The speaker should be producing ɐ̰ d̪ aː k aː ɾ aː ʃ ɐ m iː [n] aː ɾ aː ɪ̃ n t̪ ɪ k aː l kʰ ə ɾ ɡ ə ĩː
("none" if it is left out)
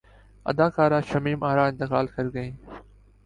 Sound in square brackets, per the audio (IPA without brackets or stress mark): m